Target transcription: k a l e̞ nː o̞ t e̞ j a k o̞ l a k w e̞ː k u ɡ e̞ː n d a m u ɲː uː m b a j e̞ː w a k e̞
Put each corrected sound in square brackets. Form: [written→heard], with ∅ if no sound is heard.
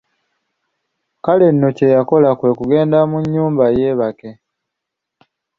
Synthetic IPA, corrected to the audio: k a l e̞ nː o̞ [t→c] e̞ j a k o̞ l a k w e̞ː k u ɡ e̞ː n d a m u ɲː uː m b a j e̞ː [w→β] a k e̞